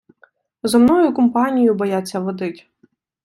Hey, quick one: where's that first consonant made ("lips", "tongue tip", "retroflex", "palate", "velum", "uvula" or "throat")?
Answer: tongue tip